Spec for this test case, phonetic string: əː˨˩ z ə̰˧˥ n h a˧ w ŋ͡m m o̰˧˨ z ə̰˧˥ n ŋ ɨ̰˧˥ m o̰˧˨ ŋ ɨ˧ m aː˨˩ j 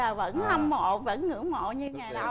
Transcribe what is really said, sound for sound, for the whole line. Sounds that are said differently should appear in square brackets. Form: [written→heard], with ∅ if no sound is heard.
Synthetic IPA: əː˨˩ [z→v] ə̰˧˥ n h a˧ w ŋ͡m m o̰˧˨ [z→v] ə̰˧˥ n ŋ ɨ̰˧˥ m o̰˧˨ [ŋ→ɲ] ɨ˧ [m→ŋ] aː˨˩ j

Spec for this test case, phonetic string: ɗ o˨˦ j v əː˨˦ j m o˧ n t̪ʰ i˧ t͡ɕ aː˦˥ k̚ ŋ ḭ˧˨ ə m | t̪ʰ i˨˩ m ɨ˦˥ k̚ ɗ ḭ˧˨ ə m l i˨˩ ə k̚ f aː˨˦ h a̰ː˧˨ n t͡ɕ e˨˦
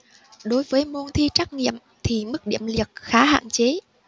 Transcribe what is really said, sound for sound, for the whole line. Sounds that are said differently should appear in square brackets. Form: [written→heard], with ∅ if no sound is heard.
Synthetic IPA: ɗ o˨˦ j v əː˨˦ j m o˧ n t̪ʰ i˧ t͡ɕ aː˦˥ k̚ ŋ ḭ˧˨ ə m | t̪ʰ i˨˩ m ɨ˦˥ k̚ ɗ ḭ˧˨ ə m l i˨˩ ə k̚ [f→x] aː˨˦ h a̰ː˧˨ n t͡ɕ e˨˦

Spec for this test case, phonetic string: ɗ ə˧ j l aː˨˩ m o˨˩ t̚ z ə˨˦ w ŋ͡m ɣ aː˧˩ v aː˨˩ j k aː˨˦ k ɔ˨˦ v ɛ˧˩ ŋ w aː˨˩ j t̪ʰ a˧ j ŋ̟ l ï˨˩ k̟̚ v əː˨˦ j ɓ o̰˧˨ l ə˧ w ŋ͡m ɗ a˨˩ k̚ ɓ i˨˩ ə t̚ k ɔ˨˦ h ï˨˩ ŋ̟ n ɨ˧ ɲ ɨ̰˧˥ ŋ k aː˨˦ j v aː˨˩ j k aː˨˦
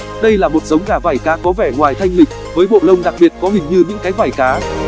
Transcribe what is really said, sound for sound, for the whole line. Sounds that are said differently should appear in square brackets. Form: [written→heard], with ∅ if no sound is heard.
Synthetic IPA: ɗ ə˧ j l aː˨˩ m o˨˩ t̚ z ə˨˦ w ŋ͡m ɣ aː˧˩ v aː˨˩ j k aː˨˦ k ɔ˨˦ v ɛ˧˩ ŋ w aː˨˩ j t̪ʰ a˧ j ŋ̟ l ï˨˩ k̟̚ v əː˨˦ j ɓ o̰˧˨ l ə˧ w ŋ͡m ɗ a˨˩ k̚ ɓ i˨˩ ə t̚ k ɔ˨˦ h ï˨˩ ŋ̟ [n→ɲ] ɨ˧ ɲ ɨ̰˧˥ ŋ k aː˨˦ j v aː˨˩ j k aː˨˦

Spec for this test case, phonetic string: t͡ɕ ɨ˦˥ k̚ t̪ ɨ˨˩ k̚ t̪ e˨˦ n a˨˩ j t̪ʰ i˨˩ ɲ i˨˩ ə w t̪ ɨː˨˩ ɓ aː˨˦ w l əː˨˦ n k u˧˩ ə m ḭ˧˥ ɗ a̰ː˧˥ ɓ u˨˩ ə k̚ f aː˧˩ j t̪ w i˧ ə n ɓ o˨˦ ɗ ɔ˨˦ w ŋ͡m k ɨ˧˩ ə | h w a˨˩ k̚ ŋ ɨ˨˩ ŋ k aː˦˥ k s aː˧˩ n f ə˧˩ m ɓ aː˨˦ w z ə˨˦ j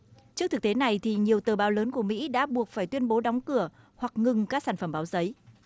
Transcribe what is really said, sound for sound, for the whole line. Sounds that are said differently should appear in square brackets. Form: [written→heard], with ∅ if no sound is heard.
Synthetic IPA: t͡ɕ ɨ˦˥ k̚ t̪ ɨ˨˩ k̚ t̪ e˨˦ n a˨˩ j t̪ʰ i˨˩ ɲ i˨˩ ə w t̪ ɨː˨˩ ɓ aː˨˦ w l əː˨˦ n k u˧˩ ə m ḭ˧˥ ɗ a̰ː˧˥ ɓ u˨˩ ə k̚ f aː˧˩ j t̪ w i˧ ə n ɓ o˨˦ ɗ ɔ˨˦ w ŋ͡m k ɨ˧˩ ə | h w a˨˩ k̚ ŋ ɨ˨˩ ŋ k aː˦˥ k s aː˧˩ n f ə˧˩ m ɓ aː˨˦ w z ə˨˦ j

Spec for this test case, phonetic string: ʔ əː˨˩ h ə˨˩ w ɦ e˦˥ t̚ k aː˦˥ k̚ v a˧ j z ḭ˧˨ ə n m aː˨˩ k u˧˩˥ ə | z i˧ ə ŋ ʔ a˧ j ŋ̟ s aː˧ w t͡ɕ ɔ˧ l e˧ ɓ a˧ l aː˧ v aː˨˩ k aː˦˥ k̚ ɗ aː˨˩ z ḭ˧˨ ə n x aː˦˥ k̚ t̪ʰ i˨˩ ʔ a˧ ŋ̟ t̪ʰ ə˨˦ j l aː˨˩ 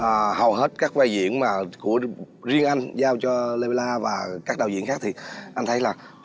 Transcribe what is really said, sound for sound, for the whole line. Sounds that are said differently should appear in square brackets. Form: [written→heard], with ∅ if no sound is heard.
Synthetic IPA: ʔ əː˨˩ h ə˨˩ w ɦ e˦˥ t̚ k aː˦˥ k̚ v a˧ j z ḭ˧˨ ə n m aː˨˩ k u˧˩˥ ə | z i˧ ə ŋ ʔ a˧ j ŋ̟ [s→z] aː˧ w t͡ɕ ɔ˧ l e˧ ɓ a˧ l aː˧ v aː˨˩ k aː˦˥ k̚ ɗ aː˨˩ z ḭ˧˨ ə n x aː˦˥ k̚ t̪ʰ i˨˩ ʔ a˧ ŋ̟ t̪ʰ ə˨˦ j l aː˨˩

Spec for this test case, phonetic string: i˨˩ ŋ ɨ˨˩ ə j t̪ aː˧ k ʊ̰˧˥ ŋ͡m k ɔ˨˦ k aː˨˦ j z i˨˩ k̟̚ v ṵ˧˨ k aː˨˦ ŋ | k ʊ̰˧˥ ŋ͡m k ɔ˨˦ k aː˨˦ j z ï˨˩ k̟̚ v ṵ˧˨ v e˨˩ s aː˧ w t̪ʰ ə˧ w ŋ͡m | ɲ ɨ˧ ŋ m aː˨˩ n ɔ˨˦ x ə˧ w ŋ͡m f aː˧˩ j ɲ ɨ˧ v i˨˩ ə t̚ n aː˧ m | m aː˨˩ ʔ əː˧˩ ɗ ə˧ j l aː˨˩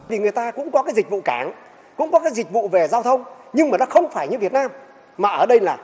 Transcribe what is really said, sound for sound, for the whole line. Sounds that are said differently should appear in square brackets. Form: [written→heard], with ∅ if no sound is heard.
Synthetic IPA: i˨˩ ŋ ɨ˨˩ ə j t̪ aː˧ k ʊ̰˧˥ ŋ͡m k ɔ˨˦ k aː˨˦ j z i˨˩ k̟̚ v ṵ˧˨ k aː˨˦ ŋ | k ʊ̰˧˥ ŋ͡m k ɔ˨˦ k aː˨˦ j z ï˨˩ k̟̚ v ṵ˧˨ v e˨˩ [s→z] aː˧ w t̪ʰ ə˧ w ŋ͡m | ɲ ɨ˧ ŋ m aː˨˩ n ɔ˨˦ x ə˧ w ŋ͡m f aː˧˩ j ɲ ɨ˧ v i˨˩ ə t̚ n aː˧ m | m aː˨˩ ʔ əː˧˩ ɗ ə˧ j l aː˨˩

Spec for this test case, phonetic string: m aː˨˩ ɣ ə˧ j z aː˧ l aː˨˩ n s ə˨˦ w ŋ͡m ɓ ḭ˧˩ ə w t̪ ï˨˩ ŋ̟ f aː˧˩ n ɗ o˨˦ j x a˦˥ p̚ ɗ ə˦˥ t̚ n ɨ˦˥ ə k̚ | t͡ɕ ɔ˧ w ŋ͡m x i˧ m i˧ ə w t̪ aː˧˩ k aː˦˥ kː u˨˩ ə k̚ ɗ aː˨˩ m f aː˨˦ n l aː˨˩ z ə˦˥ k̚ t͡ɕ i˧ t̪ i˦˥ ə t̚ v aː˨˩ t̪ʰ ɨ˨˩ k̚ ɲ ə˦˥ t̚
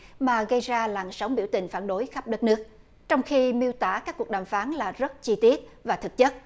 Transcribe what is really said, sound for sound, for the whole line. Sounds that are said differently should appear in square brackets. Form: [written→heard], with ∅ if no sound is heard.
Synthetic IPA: m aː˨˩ ɣ ə˧ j z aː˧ l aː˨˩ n s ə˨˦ w ŋ͡m ɓ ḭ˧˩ ə w t̪ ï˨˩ ŋ̟ f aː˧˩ n ɗ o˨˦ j x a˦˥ p̚ ɗ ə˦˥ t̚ n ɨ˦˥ ə k̚ | t͡ɕ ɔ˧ w ŋ͡m x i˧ m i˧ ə w t̪ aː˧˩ k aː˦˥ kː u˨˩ ə k̚ ɗ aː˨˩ m f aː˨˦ n l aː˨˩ z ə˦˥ [k̚→t̚] t͡ɕ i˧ t̪ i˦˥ ə t̚ v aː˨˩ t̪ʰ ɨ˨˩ k̚ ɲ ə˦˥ t̚

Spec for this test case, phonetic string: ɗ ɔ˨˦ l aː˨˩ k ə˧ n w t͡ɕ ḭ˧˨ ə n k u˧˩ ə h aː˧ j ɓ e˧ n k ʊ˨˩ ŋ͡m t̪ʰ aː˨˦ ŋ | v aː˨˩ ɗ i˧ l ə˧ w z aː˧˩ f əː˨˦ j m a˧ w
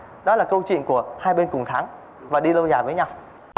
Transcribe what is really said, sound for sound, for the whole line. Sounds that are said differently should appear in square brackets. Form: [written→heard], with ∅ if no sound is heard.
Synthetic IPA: ɗ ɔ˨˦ l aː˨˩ k ə˧ [n→∅] w t͡ɕ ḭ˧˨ ə n k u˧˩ ə h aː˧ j ɓ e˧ n k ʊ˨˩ ŋ͡m t̪ʰ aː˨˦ ŋ | v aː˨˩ ɗ i˧ l ə˧ w z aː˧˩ [f→v] əː˨˦ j [m→ɲ] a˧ w

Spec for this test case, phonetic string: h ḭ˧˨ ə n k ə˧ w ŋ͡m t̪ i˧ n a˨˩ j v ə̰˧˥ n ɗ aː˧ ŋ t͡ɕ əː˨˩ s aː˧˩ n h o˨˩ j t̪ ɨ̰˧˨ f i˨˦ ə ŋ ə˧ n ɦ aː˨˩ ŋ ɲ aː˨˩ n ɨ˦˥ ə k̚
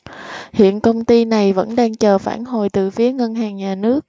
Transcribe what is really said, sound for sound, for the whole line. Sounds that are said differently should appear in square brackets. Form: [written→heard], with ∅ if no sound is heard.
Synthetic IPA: h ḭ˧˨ ə n k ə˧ w ŋ͡m t̪ i˧ n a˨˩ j v ə̰˧˥ n ɗ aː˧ ŋ t͡ɕ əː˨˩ [s→f] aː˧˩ n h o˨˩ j t̪ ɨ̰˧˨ f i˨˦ ə ŋ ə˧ n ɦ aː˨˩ ŋ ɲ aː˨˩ n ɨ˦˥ ə k̚

